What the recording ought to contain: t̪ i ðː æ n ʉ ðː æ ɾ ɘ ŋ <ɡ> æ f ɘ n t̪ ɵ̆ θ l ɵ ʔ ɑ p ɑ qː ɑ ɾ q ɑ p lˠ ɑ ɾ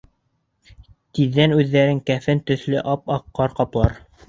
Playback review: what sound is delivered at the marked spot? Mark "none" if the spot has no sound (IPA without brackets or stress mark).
k